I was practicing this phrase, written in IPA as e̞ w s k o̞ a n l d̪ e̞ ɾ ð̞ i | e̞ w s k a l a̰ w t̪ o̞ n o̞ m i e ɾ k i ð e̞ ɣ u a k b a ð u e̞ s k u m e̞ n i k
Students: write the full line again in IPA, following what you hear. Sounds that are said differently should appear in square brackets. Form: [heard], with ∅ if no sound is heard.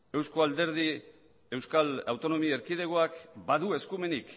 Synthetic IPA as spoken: e̞ w s k o̞ a [∅] l d̪ e̞ ɾ ð̞ i | e̞ w s k a l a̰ w t̪ o̞ n o̞ m i e ɾ k i ð e̞ ɣ [o] a k b a ð u e̞ s k u m e̞ n i k